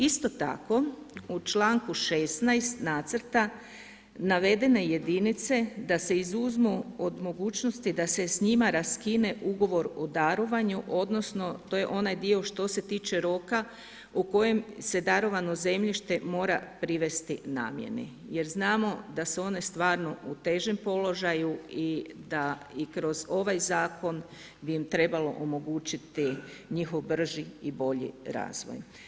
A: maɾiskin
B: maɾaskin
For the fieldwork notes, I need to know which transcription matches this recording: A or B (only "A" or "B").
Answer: B